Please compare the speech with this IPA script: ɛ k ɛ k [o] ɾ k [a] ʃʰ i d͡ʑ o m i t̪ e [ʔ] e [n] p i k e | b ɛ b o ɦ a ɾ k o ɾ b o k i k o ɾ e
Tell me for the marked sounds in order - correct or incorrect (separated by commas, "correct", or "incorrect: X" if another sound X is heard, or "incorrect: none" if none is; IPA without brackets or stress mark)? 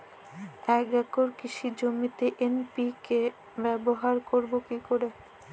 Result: correct, incorrect: i, correct, correct